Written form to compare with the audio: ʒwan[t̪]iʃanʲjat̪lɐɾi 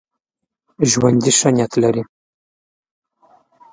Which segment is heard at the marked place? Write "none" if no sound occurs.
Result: d̪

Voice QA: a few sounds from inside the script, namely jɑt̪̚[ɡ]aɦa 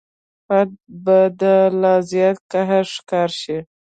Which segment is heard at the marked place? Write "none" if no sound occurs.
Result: k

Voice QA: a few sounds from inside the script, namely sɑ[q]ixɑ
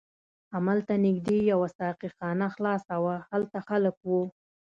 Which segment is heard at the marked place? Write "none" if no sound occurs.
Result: q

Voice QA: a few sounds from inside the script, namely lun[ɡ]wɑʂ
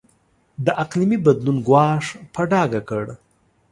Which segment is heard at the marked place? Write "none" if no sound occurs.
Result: ɡ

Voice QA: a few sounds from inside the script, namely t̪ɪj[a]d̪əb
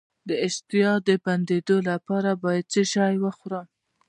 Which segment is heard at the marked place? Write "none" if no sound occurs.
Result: ɑ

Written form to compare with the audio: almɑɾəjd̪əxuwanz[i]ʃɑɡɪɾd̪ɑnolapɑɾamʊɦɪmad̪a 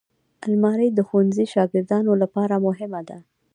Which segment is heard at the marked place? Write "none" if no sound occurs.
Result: i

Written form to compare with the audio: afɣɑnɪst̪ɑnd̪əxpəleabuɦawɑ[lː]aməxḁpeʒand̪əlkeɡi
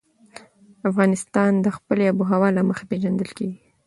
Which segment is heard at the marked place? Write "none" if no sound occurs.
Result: l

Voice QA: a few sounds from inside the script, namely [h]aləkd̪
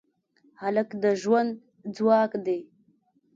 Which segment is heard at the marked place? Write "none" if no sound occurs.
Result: h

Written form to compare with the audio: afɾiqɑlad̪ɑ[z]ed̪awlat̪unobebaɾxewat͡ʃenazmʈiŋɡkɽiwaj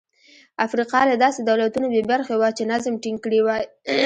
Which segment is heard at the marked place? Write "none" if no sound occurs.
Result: s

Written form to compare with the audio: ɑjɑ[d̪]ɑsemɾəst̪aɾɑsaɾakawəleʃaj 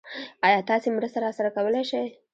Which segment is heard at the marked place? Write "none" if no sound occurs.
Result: t̪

